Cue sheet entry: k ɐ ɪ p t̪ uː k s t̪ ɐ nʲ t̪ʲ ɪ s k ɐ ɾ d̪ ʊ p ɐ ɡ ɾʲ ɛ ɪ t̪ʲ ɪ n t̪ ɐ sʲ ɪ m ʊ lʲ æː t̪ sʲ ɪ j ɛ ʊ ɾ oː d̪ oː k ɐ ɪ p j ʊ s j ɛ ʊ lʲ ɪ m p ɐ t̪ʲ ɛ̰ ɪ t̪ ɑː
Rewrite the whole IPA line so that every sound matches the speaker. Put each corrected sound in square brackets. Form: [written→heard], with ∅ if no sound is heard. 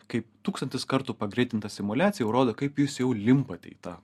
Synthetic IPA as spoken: k ɐ ɪ p t̪ uː k s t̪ ɐ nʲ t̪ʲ ɪ s k ɐ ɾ [d̪→t̪] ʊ p ɐ ɡ ɾʲ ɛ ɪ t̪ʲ ɪ n t̪ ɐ sʲ ɪ m ʊ lʲ æː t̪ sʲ ɪ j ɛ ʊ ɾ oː d̪ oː k ɐ ɪ p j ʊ s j ɛ ʊ lʲ ɪ m p ɐ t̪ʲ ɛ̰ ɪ t̪ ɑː